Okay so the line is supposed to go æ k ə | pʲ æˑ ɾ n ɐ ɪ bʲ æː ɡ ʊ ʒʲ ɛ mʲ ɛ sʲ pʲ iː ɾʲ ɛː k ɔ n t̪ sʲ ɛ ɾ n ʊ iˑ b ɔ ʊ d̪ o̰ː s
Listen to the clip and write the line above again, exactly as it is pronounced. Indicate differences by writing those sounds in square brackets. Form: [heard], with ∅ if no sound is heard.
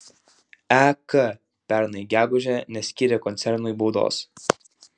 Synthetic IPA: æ k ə | pʲ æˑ ɾ n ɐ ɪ [ɡʲ] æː ɡ ʊ ʒʲ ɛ [nʲ] ɛ sʲ [kʲ] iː ɾʲ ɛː k ɔ n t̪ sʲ ɛ ɾ n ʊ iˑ b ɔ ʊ d̪ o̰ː s